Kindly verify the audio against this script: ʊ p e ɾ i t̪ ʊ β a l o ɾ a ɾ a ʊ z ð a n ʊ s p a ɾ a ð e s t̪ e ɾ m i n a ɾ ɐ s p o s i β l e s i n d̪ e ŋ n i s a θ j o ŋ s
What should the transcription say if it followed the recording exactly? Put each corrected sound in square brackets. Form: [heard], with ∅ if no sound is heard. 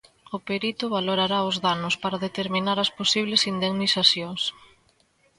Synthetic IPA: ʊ p e ɾ i t̪ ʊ β a l o ɾ a ɾ a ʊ z ð a n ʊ s p a ɾ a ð e [∅] t̪ e ɾ m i n a ɾ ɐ s p o s i β l e s i n d̪ e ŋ n i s a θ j o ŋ s